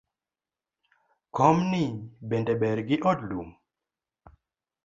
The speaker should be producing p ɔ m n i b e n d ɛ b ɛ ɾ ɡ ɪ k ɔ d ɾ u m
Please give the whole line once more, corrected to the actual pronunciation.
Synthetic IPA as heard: k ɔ m n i b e n d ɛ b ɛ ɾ ɡ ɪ ʔ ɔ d l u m

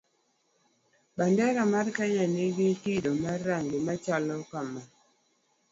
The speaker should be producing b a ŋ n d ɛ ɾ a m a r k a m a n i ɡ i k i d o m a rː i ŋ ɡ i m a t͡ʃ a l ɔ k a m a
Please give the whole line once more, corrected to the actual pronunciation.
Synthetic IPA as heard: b a n d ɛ ɾ a m a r k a ɲ a n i ɡ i k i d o m a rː a ŋ ɡ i m a t͡ʃ a l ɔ k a m a

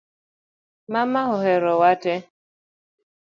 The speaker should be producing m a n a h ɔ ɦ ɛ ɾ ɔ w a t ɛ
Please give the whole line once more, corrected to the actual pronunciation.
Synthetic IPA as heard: m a m a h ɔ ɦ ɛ ɾ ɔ w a t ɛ

